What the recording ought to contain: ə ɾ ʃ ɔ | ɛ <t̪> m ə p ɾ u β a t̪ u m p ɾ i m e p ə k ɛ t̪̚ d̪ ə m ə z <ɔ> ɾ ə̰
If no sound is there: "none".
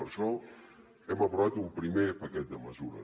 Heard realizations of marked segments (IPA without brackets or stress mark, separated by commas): none, u